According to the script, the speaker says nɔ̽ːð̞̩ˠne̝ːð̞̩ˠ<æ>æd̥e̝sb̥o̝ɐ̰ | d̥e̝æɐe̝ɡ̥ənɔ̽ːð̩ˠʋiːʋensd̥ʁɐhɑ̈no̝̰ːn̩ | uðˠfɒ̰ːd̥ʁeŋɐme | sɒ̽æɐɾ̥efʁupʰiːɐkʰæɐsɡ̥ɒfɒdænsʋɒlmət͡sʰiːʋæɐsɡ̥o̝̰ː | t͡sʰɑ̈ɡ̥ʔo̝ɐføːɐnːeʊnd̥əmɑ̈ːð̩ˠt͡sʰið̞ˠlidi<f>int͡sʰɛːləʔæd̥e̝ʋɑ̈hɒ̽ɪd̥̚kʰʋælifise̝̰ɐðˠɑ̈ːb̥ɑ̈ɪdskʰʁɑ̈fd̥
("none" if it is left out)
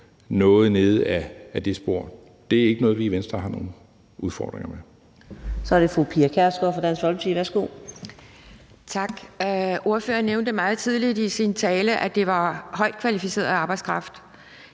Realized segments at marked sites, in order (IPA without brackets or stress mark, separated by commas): æ, s